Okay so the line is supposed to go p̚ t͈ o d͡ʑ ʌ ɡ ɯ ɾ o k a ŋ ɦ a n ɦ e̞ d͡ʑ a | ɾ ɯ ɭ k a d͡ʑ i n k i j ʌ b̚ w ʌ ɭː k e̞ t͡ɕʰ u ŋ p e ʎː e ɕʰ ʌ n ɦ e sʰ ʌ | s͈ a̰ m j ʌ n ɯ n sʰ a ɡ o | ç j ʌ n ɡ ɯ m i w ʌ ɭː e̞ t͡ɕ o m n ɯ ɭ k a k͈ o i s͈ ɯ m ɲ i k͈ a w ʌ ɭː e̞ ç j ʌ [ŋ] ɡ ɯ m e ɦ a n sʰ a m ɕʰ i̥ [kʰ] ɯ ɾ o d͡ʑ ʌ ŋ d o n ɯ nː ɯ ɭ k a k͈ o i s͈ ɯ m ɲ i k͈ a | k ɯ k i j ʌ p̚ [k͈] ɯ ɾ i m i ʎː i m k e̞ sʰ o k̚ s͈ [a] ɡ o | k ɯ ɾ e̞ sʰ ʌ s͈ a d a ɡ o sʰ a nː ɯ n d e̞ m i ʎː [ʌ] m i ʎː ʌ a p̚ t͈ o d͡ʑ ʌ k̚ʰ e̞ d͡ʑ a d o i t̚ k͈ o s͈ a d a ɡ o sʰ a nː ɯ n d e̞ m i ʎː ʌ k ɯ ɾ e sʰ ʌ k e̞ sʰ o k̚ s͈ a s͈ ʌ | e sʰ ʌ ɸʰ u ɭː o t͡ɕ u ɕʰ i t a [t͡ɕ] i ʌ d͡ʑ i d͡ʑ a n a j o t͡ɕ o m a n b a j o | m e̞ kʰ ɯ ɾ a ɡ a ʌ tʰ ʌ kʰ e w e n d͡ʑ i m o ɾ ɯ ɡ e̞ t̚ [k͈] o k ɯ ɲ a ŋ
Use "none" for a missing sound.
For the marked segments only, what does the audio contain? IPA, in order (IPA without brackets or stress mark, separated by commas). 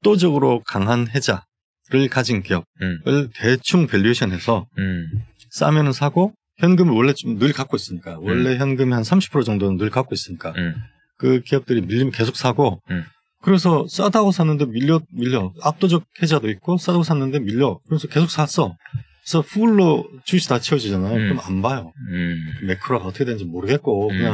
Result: n, pʰ, t͈, a, ʌ, t͡ɕʰ, k͈